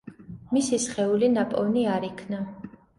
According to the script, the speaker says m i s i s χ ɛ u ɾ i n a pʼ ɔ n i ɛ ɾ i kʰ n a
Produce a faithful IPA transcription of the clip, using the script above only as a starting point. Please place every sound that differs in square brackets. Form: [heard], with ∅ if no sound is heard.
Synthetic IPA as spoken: m i s i s χ ɛ u [l] i n a pʼ ɔ n i [a] ɾ i kʰ n a

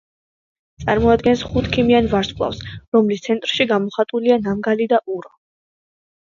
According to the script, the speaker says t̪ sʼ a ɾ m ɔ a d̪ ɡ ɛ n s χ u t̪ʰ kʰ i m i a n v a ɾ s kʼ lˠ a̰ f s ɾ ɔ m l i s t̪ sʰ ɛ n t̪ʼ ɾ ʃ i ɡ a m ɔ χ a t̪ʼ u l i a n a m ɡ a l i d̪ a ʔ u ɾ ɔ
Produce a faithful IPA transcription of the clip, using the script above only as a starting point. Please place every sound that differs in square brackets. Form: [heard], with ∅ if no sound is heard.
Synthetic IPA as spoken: t̪ sʼ a ɾ m ɔ a d̪ ɡ ɛ n s χ u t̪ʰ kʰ i m i a n v a ɾ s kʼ lˠ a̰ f s ɾ ɔ m l i s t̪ sʰ ɛ n t̪ʼ ɾ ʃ i ɡ a m ɔ χ a t̪ʼ u l i a n a m ɡ a l i d̪ a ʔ u ɾ ɔ

